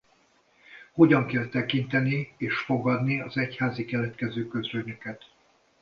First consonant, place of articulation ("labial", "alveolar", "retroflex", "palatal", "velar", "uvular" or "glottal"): glottal